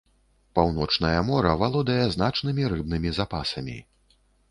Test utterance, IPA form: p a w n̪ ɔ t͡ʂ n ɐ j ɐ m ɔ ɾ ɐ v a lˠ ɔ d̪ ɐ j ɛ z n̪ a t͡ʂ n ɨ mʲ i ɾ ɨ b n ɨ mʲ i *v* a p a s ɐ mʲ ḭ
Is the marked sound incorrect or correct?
incorrect